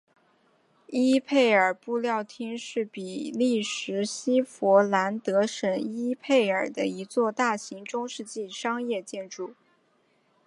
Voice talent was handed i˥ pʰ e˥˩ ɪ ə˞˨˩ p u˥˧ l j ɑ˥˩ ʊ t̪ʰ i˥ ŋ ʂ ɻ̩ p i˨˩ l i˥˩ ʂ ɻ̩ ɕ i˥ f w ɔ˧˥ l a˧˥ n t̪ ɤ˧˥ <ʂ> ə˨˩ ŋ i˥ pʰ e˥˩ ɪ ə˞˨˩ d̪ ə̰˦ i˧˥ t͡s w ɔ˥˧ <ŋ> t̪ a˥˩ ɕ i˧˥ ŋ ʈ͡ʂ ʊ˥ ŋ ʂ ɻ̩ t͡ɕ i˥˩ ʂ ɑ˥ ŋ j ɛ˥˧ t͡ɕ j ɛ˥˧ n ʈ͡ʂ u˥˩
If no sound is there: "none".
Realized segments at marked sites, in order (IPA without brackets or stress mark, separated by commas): ʂ, none